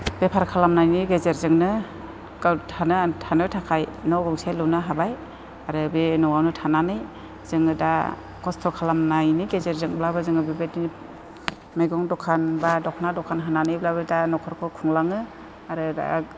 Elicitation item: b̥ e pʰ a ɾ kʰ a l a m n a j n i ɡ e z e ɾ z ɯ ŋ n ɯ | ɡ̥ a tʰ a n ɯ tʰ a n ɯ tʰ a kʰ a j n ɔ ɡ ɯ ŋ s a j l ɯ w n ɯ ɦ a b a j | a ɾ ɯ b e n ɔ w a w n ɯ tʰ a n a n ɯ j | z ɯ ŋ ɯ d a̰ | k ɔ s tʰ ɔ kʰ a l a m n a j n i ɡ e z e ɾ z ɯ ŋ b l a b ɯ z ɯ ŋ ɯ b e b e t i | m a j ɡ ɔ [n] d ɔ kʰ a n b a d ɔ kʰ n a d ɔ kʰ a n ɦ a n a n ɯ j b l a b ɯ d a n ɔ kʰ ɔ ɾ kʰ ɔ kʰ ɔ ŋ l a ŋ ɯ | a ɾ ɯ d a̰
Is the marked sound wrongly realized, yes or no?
yes